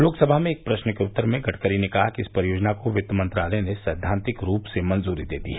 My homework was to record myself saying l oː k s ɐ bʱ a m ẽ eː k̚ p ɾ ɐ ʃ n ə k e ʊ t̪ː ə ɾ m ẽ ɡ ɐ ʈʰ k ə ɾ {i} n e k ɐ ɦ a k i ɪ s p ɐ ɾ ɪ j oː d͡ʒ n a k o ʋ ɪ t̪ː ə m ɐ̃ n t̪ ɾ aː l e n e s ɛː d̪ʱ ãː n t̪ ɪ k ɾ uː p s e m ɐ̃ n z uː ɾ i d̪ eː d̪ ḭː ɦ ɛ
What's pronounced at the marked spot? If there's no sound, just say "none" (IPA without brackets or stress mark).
i